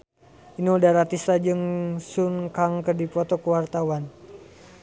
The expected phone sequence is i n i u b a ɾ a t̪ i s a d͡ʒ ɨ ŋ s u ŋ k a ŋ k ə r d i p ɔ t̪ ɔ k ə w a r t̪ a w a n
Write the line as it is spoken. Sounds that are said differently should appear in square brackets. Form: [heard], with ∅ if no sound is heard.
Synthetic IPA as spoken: i n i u [d] a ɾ a t̪ i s a d͡ʒ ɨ ŋ s u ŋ k a ŋ k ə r d i p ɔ t̪ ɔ k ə w a r t̪ a w a n